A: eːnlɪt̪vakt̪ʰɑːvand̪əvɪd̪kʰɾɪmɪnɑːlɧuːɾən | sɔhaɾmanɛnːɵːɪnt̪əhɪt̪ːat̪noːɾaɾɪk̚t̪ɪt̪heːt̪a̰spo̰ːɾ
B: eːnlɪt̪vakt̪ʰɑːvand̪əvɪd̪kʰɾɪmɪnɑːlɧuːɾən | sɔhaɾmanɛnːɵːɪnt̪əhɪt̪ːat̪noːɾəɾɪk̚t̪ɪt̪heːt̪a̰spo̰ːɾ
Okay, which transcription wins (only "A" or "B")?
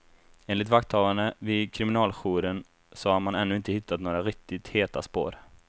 A